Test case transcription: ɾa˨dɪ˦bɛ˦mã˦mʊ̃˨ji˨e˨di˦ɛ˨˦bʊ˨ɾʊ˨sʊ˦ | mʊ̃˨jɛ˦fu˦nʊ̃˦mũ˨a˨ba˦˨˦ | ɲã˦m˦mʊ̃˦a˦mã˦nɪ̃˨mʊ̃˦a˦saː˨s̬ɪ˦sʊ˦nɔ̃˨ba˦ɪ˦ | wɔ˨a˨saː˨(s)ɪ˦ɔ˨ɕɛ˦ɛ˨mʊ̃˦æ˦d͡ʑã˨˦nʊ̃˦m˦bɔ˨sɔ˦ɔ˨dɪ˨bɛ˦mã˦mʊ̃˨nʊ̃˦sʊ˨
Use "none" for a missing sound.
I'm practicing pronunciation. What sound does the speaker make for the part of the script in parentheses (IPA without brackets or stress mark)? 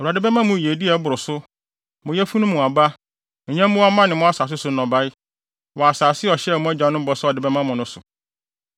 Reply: s